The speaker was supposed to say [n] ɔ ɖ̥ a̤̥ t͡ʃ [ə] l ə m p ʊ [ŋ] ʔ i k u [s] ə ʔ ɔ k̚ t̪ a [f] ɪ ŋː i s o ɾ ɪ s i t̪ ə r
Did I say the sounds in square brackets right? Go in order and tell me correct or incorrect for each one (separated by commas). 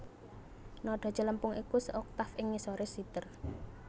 correct, correct, correct, correct, correct